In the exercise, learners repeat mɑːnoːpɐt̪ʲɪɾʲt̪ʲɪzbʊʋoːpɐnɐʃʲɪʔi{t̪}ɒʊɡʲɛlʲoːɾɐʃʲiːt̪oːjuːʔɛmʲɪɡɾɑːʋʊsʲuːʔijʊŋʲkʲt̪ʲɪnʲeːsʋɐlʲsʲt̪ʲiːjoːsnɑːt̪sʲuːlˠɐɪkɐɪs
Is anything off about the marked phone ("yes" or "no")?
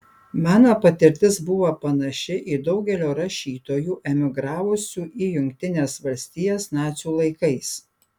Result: yes